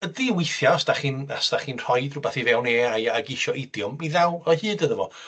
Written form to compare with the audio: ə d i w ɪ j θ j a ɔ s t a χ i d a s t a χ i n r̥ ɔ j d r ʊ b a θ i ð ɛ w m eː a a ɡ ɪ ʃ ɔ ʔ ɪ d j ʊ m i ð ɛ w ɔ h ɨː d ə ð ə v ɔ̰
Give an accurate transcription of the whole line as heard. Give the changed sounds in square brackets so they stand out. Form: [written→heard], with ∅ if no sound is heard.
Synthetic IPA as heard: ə d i w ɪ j θ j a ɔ s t a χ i [d→n] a s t a χ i n r̥ ɔ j d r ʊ b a θ i [ð→v] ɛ w [m→n] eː a a ɡ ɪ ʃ ɔ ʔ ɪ d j ʊ m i ð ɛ w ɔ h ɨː d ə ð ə v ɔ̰

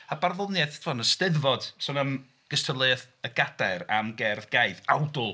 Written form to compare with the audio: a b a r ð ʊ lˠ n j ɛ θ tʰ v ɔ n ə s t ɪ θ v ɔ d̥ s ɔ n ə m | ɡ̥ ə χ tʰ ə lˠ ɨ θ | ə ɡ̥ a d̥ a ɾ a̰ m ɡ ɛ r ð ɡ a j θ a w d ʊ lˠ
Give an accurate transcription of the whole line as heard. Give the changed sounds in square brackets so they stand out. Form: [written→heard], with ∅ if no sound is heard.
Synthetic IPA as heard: a b a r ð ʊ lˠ n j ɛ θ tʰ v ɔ n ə s t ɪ [θ→ð] v ɔ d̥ s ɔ n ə m | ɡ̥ ə [χ→s] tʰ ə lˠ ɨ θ | ə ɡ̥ a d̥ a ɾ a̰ m ɡ ɛ r ð ɡ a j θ a w d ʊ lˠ

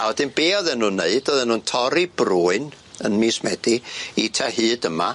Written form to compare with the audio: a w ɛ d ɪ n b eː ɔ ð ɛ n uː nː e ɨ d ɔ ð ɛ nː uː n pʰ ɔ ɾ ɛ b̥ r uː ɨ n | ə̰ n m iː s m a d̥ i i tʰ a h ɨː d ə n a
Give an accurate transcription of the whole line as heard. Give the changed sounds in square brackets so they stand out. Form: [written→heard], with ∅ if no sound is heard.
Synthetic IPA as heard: a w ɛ d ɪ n b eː ɔ ð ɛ n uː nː e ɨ d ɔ ð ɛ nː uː n [pʰ→tʰ] ɔ ɾ [ɛ→i] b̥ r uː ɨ n | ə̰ n m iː s m [a→ɛ] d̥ i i tʰ a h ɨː d ə [n→m] a

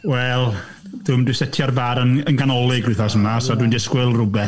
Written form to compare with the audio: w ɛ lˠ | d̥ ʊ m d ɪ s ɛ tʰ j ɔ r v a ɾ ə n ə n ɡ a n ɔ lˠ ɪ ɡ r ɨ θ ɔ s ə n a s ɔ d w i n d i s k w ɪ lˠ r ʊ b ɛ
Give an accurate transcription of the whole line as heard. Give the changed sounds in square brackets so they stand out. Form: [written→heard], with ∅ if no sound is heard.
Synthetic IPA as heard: w ɛ lˠ | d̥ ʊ m d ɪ s ɛ tʰ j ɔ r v a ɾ ə n ə n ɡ a n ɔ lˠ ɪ ɡ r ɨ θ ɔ s ə [n→m] a s ɔ d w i n d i s k w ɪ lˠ r ʊ b ɛ

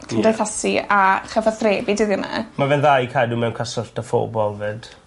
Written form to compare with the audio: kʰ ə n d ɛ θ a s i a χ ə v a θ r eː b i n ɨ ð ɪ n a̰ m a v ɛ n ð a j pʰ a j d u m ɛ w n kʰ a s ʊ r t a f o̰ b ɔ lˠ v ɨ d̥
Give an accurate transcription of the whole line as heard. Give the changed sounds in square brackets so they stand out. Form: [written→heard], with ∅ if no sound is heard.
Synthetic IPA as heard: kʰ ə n d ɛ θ a s i a χ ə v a θ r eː b i [n→d] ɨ ð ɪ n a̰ m a v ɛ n ð a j [pʰ→kʰ] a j d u m ɛ w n kʰ a s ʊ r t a f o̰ b ɔ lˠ v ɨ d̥

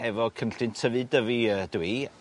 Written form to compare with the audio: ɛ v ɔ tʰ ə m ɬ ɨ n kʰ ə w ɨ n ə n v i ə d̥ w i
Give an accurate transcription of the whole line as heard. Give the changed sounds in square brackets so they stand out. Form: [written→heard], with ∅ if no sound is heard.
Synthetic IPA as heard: ɛ v ɔ [tʰ→kʰ] ə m ɬ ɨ n [kʰ→tʰ] ə [w→v] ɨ [n→d] ə [n→∅] v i ə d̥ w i

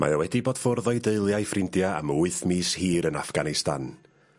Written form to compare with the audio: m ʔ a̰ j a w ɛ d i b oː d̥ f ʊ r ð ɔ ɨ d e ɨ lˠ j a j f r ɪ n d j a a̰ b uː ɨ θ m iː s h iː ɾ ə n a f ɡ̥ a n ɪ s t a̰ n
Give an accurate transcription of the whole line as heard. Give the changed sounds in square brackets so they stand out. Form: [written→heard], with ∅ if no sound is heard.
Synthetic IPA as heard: m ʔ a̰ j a w ɛ d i b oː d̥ f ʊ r ð ɔ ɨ d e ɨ lˠ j a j f r ɪ n d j a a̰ [b→m] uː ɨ θ m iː s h iː ɾ ə n a f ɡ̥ a n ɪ s t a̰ n

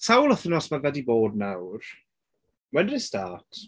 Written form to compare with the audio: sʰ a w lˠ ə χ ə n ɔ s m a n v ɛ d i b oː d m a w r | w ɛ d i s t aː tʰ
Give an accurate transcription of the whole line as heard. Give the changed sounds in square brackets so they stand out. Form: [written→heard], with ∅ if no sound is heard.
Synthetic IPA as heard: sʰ a w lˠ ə [χ→θ] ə n ɔ s m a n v ɛ d i b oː d [m→n] a w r | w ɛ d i s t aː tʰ

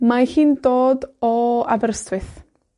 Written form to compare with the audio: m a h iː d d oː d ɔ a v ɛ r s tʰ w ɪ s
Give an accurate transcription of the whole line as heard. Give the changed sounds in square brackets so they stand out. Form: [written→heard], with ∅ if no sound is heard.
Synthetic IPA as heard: m a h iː [d→n] d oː d ɔ a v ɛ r s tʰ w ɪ [s→θ]

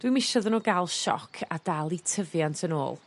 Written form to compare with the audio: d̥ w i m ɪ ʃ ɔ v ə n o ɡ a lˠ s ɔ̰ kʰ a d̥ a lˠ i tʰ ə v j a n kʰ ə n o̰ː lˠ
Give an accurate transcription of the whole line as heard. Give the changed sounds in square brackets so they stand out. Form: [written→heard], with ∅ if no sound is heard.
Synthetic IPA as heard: d̥ w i m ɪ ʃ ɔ [v→ð] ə n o ɡ a lˠ [s→ʃ] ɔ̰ kʰ a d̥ a lˠ i tʰ ə v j a n [kʰ→tʰ] ə n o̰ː lˠ

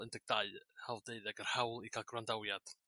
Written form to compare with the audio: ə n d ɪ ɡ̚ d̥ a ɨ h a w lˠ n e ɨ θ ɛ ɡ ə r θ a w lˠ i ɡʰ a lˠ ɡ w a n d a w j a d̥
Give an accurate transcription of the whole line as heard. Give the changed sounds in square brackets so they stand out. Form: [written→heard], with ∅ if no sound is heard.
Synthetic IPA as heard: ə n d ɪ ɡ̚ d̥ a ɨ h a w lˠ [n→d] e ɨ [θ→ð] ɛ ɡ ə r [θ→h] a w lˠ i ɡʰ a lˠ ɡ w a n d a w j a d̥

